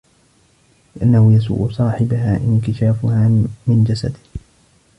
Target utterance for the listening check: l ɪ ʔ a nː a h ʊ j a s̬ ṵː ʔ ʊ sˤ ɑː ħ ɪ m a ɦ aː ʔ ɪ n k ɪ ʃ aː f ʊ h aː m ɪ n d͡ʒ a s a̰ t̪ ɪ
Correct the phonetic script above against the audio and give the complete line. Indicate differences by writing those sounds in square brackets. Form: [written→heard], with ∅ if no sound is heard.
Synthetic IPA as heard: l ɪ ʔ a nː a h ʊ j a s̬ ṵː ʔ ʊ sˤ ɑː ħ ɪ [m→b] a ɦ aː ʔ ɪ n k ɪ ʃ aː f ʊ h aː m ɪ n d͡ʒ a s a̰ [t̪→d̪] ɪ